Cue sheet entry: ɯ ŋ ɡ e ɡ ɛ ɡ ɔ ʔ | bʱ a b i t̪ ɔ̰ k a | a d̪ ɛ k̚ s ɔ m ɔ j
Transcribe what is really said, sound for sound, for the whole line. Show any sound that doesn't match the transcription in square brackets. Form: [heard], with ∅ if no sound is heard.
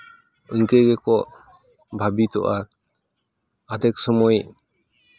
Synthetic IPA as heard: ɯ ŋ [k] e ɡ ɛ [k] ɔ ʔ | bʱ a b i t̪ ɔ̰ [ʔ] a | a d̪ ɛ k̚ s ɔ m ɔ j